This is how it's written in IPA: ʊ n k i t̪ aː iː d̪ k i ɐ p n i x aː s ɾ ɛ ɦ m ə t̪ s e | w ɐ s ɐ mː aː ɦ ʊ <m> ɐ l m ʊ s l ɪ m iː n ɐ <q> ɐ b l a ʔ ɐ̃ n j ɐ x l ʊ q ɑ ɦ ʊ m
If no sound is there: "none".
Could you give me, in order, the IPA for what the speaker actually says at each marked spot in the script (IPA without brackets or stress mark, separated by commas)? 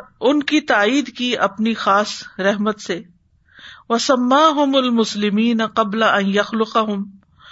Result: m, q